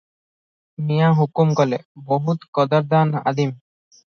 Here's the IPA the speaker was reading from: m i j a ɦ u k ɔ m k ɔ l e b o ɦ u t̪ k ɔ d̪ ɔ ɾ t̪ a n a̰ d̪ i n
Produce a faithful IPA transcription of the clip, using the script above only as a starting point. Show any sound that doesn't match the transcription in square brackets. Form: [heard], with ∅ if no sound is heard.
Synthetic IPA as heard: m i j a ɦ u k [u] m k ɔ l e b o ɦ u t̪ k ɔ d̪ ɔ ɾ [d̪] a n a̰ d̪ i [m]